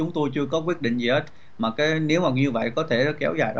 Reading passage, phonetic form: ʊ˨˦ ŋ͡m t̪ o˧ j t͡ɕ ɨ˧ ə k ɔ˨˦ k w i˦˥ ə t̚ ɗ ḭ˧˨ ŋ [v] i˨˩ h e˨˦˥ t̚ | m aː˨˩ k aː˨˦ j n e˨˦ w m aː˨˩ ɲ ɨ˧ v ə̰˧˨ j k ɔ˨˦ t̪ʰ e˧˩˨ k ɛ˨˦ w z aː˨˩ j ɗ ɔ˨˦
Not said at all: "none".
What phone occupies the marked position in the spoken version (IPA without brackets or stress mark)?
z